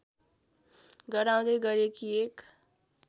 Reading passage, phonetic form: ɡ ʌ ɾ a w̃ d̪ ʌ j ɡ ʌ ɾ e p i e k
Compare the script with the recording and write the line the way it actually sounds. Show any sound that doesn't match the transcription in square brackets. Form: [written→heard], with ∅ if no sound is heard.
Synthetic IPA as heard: ɡ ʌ ɾ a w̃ d̪ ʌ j ɡ ʌ ɾ e [p→k] i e k